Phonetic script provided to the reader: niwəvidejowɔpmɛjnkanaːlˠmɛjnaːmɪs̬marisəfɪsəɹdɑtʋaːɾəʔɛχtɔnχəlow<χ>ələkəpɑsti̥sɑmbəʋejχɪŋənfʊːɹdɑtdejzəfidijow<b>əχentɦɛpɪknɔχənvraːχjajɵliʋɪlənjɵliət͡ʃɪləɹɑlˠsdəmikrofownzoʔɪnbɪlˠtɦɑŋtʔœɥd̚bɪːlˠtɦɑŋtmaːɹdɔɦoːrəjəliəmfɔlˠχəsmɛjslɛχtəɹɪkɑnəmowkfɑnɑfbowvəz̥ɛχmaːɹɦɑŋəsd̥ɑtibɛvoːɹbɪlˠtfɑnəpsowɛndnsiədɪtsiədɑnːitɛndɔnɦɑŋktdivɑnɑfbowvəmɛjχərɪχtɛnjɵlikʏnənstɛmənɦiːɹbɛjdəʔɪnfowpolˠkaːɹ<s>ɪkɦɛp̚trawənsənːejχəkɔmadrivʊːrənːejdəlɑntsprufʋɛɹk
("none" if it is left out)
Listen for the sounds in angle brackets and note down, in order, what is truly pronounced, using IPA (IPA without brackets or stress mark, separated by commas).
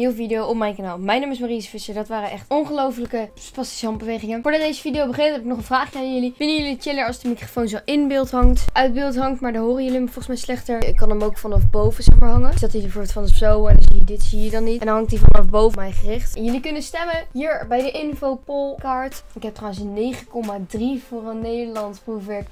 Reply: f, b, t